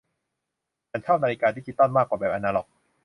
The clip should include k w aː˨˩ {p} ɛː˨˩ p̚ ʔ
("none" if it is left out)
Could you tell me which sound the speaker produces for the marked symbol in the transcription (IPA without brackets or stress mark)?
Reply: b